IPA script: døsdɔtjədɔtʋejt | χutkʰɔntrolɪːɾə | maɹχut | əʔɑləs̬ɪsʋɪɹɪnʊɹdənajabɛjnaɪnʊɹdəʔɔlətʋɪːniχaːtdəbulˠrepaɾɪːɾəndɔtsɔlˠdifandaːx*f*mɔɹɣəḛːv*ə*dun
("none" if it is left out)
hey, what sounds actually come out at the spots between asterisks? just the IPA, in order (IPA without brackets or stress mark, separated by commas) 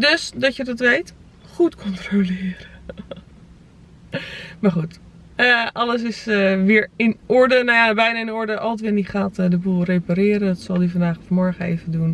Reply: f, ə